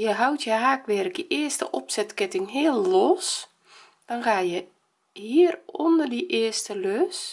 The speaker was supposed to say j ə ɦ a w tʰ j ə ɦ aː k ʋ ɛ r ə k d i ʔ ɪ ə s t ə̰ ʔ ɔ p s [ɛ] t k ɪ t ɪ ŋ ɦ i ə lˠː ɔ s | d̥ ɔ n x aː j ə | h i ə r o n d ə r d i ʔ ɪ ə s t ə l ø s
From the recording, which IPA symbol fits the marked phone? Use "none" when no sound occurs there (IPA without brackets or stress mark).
ɛ